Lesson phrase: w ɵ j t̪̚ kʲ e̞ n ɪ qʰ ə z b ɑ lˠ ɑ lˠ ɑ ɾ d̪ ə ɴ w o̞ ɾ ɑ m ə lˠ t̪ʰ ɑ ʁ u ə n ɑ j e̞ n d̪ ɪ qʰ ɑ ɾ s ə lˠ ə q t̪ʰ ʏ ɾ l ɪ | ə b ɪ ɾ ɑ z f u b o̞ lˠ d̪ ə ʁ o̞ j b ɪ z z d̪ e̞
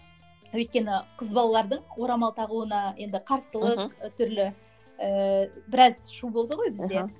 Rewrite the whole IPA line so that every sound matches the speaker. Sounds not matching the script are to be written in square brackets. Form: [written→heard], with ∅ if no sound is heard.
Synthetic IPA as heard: w ɵ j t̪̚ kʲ e̞ n ɪ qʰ ə z b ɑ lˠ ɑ lˠ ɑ ɾ d̪ ə ɴ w o̞ ɾ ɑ m [ə→ɑ] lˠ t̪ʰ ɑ ʁ u ə n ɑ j e̞ n d̪ ɪ qʰ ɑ ɾ s ə lˠ ə q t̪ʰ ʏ ɾ l ɪ | ə b ɪ ɾ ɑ z [f→ʃ] u b o̞ lˠ d̪ ə ʁ o̞ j b ɪ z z d̪ e̞